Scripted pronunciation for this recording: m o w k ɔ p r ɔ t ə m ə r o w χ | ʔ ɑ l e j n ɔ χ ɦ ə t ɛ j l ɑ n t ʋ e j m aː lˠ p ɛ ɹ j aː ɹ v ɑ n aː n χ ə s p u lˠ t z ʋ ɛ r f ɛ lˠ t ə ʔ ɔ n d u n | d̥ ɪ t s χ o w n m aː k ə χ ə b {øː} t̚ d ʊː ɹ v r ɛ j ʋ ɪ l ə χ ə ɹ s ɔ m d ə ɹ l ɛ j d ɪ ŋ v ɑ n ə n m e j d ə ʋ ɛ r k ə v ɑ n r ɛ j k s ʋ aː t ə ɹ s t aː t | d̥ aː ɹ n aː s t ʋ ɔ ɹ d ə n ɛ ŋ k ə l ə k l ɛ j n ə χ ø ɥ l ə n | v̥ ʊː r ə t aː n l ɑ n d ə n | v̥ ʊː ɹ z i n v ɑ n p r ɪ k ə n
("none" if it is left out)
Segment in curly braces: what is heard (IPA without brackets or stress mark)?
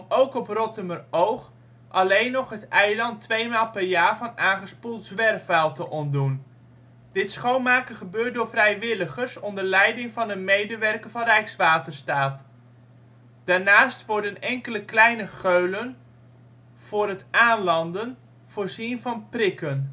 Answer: øː